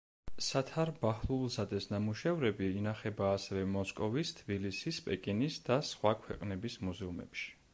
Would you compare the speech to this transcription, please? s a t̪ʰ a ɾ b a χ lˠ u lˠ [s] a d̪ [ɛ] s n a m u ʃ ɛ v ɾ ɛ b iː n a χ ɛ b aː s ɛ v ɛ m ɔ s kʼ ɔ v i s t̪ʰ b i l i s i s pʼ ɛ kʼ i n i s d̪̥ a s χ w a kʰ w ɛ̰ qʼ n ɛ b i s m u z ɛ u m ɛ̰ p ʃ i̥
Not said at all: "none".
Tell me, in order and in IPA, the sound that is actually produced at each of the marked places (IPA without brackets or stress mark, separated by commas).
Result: z, ɛ